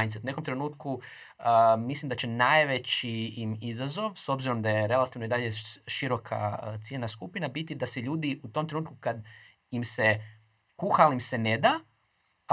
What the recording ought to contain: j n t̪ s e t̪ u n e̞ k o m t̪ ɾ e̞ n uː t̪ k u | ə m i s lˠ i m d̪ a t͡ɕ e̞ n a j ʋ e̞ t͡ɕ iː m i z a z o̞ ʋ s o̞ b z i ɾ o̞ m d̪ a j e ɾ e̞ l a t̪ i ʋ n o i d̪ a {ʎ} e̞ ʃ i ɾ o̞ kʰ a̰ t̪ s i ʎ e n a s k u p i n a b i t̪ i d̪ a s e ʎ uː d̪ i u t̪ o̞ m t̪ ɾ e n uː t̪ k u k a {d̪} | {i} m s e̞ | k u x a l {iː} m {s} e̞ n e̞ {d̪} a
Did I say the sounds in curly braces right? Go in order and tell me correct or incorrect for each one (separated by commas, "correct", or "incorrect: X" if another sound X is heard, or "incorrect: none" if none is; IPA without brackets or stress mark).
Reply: correct, correct, correct, incorrect: i, correct, correct